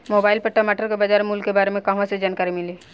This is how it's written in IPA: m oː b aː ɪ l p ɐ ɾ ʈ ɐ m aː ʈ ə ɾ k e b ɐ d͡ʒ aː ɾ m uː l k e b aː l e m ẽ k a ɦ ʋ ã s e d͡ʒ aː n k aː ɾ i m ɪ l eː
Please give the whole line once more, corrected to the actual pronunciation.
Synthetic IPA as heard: m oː b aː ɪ l p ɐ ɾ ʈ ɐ m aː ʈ ə ɾ k e b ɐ d͡ʒ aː ɾ m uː l k e b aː ɾ e m ẽ k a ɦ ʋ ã s e d͡ʒ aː n k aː ɾ i m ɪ l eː